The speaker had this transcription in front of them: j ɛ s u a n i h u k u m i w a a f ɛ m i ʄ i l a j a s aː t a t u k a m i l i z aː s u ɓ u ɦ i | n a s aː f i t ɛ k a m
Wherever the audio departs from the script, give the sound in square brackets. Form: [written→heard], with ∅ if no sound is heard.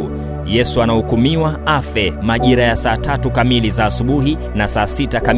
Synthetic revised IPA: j ɛ s u a n [i→a] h u k u m i w a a f ɛ m [i→a] ʄ i [l→ɾ] a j a s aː t a t u k a m i l i z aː s u ɓ u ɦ i | n a s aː [f→s] i t [ɛ→a] k a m